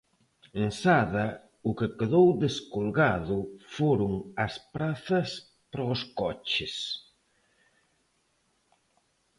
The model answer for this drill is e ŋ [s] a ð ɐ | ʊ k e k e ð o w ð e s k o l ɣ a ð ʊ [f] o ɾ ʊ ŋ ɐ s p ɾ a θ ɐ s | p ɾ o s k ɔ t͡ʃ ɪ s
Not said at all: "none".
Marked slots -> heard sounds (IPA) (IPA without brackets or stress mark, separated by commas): s, f